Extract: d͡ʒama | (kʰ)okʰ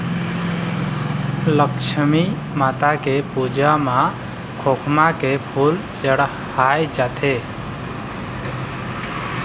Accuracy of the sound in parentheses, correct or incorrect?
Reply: correct